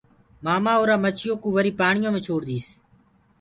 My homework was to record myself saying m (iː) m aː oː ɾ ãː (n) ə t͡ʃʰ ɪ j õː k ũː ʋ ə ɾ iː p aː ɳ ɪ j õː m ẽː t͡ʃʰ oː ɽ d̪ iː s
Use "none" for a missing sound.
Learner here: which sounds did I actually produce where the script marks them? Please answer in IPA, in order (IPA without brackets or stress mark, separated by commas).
aː, m